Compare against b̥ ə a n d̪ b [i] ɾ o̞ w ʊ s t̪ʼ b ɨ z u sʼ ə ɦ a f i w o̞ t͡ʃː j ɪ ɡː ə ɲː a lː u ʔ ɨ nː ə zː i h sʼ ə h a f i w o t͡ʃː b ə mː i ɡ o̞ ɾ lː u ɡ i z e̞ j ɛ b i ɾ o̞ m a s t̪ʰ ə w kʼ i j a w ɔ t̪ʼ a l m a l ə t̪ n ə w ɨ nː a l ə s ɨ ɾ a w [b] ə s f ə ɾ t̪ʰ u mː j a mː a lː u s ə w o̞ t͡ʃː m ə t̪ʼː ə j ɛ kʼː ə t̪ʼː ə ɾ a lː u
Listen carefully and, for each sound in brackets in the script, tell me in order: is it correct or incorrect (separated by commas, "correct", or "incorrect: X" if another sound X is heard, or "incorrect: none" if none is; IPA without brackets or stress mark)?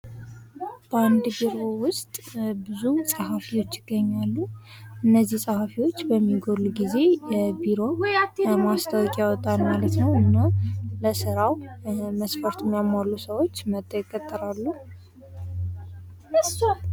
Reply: correct, incorrect: m